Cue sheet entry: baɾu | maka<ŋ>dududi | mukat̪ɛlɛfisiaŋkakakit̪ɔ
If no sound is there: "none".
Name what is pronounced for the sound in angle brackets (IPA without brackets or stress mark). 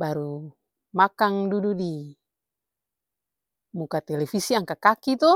ŋ